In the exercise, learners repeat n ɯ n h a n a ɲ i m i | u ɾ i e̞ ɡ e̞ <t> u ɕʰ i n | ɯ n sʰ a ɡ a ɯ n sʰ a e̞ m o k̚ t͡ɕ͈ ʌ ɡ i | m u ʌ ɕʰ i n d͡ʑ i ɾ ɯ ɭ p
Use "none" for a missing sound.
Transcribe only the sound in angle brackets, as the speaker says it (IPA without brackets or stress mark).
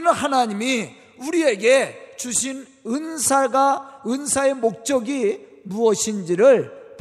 t͡ɕ